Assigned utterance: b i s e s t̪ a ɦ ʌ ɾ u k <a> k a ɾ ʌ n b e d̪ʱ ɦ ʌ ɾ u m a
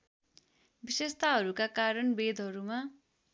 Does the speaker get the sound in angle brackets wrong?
no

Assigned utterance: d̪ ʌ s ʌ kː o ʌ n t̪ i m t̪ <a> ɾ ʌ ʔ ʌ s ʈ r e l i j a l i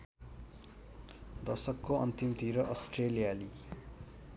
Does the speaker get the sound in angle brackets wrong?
yes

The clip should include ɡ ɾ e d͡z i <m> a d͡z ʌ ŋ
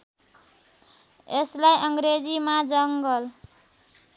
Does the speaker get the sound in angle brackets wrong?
no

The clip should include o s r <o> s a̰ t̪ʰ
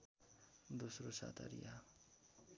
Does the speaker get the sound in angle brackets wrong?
no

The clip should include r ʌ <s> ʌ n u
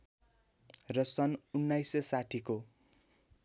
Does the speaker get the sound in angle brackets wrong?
no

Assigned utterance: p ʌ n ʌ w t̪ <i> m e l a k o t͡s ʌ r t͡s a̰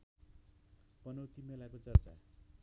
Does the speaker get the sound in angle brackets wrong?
no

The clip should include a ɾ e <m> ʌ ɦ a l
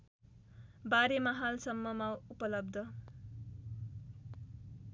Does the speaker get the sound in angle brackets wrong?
no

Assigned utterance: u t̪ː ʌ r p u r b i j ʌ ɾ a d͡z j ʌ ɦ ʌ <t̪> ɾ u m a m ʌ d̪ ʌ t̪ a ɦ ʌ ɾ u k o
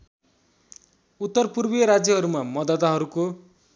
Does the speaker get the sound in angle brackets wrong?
yes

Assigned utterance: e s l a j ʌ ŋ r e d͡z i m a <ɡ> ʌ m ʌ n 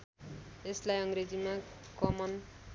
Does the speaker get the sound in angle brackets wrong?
yes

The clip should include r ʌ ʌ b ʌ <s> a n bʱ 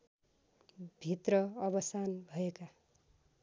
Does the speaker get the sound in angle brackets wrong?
no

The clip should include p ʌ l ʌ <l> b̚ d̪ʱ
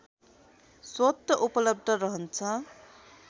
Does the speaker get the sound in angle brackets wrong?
yes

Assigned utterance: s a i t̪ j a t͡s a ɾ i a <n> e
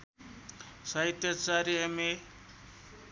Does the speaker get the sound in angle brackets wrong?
yes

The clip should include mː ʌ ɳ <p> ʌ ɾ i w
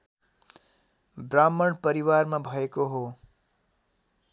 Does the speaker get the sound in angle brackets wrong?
no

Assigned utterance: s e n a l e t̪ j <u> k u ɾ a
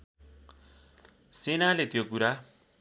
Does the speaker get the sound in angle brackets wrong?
yes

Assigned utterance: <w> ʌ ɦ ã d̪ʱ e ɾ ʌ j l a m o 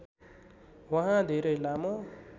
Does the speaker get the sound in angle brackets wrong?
no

